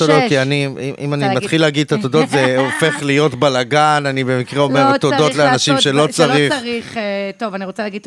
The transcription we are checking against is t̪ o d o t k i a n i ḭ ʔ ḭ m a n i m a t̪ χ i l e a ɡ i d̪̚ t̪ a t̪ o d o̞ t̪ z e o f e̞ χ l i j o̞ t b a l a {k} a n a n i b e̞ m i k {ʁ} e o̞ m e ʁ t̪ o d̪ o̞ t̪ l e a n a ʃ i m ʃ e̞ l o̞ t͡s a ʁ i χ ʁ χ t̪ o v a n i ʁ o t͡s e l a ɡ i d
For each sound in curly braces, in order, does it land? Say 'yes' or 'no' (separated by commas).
no, yes